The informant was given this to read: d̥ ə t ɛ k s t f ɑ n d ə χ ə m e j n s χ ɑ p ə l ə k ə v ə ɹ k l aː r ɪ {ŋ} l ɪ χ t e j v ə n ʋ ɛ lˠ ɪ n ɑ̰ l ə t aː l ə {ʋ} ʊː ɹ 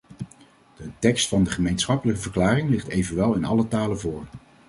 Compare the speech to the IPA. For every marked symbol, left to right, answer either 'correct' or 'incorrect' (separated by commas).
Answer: correct, incorrect